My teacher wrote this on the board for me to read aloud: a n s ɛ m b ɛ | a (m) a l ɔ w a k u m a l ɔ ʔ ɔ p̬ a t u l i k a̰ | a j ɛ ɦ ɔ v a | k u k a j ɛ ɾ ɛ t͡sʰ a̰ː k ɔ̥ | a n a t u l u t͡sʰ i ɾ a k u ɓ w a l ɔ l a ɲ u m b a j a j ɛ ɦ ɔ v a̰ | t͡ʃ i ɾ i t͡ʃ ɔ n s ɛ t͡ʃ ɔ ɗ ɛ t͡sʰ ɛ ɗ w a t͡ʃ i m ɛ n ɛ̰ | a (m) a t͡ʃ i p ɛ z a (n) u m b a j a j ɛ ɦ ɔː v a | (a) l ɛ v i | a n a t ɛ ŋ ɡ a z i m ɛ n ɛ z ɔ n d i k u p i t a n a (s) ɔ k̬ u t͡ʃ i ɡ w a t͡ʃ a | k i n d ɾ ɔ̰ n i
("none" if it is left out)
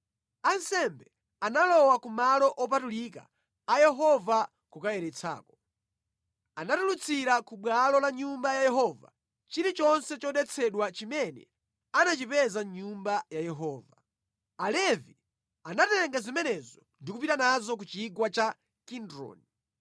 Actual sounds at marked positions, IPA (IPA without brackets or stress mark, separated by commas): n, n, ɲ, a, z